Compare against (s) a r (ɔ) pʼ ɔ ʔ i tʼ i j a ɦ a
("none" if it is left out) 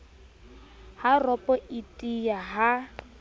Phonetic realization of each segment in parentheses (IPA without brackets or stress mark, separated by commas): h, ɔ